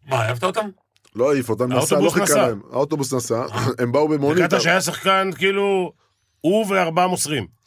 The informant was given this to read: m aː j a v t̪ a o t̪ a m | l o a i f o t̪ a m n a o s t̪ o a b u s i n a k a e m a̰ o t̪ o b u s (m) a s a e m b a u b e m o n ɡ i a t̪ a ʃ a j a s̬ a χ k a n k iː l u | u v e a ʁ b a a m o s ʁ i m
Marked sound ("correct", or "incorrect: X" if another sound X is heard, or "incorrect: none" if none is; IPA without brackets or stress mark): incorrect: n